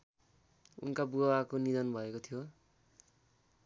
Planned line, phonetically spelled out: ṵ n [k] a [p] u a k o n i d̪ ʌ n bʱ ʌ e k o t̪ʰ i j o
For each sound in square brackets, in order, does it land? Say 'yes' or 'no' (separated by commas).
yes, no